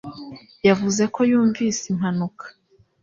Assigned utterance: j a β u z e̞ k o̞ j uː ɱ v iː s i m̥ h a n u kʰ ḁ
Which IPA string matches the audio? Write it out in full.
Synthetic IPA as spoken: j a v u z e̞ k o̞ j uː ɱ v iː s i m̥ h a n u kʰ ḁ

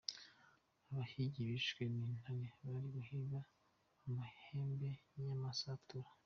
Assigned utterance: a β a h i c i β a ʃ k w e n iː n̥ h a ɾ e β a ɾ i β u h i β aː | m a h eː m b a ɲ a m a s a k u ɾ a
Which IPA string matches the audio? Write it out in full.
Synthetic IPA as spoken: a β a h i ɟ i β i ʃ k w e n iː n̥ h a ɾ e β a ɾ i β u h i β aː | m a h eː m b e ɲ a m a s a t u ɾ a

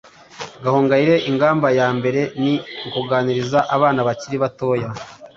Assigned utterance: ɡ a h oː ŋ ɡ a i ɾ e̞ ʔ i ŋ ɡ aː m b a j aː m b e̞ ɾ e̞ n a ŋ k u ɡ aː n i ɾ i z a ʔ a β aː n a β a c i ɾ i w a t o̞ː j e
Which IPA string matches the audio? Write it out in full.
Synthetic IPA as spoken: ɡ a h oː ŋ ɡ a i ɾ e̞ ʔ i ŋ ɡ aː m b a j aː m b e̞ ɾ e̞ n i ŋ k u ɡ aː n i ɾ i z a ʔ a β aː n a β a c i ɾ i β a t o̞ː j a

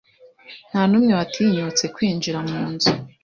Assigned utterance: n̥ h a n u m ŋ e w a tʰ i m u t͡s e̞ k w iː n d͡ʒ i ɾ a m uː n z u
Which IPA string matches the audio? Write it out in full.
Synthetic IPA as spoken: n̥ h a n u m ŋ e w a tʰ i ɲ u t͡s e̞ k w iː n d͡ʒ i ɾ a m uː n z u

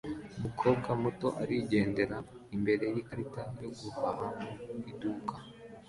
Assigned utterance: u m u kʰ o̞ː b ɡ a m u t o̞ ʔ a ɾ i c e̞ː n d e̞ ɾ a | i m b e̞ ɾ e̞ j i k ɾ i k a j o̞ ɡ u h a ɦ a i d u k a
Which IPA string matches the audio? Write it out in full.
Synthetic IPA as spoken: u m u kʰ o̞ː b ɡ a m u t o̞ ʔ a ɾ i ɟ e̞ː n d e̞ ɾ a | i m b e̞ ɾ e̞ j i k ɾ i t a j o̞ ɡ u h a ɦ a i d u k a

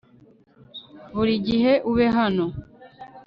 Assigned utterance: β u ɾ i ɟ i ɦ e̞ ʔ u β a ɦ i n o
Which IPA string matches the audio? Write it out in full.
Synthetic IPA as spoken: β u ɾ i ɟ i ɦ e̞ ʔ u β e ɦ a n o

